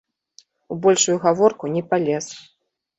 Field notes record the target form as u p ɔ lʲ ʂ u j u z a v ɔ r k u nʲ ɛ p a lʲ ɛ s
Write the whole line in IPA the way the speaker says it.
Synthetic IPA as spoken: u b ɔ lʲ ʂ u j u ɣ a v ɔ r k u nʲ ɛ p a lʲ ɛ s